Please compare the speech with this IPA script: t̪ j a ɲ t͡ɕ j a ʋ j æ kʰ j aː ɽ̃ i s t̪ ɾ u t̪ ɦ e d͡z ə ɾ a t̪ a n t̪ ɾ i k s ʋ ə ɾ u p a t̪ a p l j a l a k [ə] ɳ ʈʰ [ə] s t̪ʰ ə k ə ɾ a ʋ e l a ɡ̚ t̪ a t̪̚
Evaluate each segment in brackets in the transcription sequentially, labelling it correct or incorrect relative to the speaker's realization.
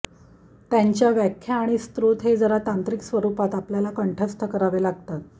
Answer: correct, correct

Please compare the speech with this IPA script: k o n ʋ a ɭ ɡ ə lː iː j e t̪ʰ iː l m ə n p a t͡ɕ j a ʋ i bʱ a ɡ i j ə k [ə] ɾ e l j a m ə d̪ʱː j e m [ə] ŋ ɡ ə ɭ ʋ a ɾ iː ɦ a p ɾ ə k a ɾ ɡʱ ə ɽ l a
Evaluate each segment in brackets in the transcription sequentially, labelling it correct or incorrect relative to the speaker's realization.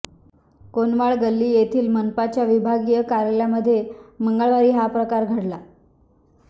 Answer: incorrect: a, correct

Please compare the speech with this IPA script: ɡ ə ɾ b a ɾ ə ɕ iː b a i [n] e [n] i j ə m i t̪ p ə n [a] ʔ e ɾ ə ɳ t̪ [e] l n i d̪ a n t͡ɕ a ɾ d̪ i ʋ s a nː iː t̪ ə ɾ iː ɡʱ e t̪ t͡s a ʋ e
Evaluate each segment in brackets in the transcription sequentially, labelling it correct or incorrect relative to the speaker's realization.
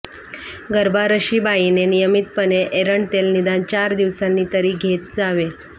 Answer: correct, correct, incorrect: e, correct

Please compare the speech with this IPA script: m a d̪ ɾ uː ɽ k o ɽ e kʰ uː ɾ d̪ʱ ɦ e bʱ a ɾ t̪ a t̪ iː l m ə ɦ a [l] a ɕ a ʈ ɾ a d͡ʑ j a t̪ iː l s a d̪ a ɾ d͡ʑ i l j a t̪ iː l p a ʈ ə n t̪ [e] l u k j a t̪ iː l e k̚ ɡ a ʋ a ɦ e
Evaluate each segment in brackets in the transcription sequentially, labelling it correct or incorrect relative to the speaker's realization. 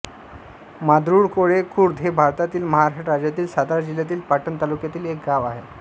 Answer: incorrect: ɾ, incorrect: a

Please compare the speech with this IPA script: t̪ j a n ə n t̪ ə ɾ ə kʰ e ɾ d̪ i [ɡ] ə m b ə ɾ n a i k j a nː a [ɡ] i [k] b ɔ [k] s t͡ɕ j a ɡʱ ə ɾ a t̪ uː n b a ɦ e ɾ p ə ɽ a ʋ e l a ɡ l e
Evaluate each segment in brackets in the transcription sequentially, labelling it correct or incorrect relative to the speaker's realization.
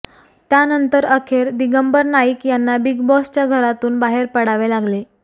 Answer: correct, incorrect: b, incorrect: ɡ, incorrect: none

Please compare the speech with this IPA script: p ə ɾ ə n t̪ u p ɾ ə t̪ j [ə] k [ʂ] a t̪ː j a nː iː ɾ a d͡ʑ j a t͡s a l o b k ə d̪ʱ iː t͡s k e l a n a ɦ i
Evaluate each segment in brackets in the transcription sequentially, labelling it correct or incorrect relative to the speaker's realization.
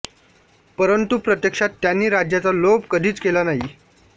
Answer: correct, correct

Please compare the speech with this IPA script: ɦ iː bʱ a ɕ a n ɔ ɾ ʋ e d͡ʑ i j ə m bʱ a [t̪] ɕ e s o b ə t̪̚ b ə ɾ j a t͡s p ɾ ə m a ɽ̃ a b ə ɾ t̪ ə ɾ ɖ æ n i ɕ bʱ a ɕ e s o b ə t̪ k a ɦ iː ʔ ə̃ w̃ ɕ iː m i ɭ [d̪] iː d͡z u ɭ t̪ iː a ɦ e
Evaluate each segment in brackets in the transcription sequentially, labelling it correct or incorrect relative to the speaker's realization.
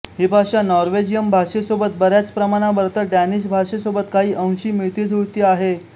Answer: incorrect: none, incorrect: t̪

